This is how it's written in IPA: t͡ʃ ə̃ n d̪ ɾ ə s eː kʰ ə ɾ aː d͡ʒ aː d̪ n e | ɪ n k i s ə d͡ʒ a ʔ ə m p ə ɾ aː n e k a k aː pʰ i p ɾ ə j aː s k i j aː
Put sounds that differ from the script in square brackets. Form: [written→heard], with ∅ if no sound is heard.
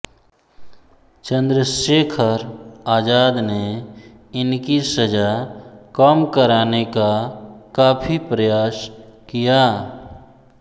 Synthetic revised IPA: t͡ʃ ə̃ n d̪ ɾ ə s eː kʰ ə ɾ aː d͡ʒ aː d̪ n e | ɪ n k i s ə d͡ʒ a [ʔ→k] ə m [p→k] ə ɾ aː n e k a k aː pʰ i p ɾ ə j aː s k i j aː